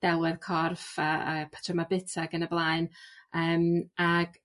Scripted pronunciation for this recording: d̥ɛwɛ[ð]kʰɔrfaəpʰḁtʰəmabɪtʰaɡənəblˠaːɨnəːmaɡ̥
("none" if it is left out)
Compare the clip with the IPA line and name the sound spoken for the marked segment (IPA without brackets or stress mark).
ð